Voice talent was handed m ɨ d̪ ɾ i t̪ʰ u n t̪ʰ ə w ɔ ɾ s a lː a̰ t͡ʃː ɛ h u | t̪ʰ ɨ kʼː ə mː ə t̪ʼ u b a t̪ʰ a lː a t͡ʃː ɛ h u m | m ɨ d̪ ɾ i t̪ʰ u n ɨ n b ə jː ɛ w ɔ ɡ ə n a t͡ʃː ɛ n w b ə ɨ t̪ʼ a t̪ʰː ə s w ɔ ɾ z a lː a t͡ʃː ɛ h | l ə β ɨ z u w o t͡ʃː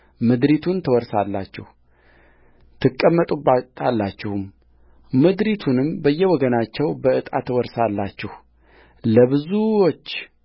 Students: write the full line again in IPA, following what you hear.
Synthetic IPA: m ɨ d̪ ɾ i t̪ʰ u n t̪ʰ ə w ɔ ɾ s a lː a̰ t͡ʃː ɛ h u | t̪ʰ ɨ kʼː ə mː ə t̪ʼ u b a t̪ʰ a lː a t͡ʃː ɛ h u m | m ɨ d̪ ɾ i t̪ʰ u n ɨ m b ə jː ɛ w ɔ ɡ ə n a t͡ʃː ɛ w b ə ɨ t̪ʼ a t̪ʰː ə w ɔ ɾ s a lː a t͡ʃː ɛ h | l ə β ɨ z u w o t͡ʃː